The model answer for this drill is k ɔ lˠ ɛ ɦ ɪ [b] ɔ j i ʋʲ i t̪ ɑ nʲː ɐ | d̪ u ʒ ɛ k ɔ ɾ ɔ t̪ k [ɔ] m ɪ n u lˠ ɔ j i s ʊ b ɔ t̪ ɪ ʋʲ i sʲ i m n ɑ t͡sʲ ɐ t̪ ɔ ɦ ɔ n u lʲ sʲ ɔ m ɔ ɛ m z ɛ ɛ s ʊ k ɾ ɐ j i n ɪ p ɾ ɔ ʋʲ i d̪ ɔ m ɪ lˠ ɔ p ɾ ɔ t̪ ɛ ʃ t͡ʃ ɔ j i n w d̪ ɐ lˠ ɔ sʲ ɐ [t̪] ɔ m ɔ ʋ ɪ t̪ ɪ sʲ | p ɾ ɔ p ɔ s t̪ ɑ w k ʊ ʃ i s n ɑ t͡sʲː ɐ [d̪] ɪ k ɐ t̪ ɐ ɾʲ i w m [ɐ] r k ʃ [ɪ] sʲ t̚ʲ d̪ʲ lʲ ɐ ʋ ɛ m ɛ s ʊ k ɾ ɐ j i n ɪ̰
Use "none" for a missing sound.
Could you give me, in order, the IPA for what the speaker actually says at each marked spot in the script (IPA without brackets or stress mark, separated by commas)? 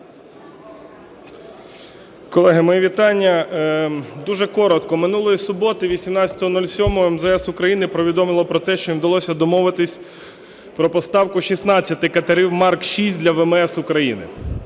m, ɔ, d̪, t̪, ɑ, i